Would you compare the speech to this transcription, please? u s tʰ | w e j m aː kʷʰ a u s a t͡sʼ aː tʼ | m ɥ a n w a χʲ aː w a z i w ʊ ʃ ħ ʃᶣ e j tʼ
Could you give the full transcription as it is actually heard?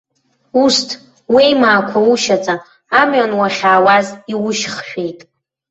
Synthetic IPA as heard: u s tʰ | w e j m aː kʷʰ a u ʃ a t͡sʼ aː | m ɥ a n w a χʲ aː w a z i w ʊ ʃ χ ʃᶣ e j tʼ